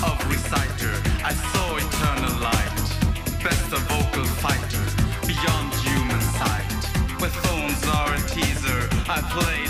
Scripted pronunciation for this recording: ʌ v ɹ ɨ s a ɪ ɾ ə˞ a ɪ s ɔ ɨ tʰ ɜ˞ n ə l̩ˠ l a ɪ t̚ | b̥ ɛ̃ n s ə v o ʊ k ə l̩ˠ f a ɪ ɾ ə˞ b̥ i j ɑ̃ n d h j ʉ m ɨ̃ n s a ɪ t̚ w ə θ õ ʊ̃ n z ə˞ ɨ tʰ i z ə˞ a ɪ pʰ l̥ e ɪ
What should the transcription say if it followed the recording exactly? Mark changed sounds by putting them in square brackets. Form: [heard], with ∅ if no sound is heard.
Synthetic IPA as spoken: ʌ v ɹ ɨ s a ɪ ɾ ə˞ a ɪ s ɔ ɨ tʰ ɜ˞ n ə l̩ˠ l a ɪ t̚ | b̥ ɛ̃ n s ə v o ʊ k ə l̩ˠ f a ɪ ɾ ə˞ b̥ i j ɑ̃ n d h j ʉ m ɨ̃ n s a ɪ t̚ w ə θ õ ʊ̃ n z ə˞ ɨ tʰ i z ə˞ a ɪ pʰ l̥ e ɪ